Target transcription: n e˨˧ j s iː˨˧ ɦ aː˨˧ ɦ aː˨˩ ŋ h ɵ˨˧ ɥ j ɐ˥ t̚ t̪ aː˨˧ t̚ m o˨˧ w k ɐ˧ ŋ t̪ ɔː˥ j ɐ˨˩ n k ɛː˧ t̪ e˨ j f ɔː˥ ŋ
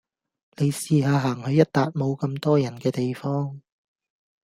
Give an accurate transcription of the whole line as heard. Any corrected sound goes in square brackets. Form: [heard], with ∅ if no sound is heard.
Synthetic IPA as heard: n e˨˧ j s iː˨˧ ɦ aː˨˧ ɦ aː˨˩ ŋ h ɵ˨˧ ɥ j ɐ˥ t̚ t̪ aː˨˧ t̚ m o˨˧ w k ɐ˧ [m] t̪ ɔː˥ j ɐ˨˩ n k ɛː˧ t̪ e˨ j f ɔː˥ ŋ